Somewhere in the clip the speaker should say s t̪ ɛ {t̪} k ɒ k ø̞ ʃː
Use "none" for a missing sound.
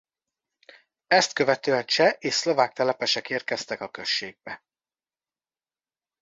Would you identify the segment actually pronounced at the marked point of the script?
none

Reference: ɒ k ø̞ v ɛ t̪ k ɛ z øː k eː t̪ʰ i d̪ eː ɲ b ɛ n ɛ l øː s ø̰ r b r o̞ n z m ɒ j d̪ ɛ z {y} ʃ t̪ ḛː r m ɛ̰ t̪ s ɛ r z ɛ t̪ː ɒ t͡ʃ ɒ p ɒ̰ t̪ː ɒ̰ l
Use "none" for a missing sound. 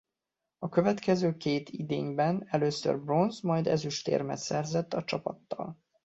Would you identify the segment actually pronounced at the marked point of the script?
y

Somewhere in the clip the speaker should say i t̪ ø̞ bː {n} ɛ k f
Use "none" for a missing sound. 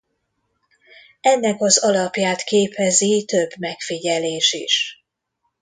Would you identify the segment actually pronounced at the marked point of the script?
m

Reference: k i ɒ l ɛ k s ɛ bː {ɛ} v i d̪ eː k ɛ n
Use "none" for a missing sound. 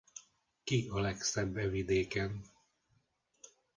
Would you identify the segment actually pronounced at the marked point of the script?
ɛ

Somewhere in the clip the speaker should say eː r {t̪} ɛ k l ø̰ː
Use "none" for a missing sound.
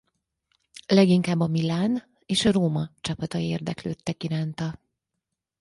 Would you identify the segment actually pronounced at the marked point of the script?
d̪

